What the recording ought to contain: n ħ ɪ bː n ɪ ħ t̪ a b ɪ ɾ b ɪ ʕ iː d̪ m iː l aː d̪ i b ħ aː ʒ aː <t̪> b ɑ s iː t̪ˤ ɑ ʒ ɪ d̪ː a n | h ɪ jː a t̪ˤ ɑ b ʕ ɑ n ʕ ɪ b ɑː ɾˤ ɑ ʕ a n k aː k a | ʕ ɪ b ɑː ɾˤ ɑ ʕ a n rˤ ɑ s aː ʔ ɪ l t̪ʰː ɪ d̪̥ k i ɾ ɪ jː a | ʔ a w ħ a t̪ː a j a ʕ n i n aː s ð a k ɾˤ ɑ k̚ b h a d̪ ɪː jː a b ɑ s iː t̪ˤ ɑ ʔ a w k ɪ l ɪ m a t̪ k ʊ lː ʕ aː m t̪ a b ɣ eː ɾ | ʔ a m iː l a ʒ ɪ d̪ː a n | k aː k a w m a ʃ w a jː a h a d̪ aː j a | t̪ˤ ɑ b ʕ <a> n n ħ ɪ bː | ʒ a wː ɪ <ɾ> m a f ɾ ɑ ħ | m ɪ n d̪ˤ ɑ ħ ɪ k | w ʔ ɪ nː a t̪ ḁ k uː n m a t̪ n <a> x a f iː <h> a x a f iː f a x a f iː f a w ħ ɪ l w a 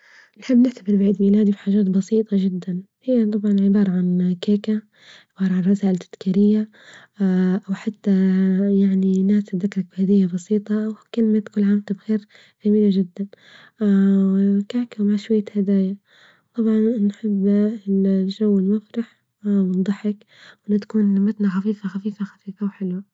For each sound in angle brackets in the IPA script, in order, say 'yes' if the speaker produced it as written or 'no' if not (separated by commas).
yes, no, no, yes, no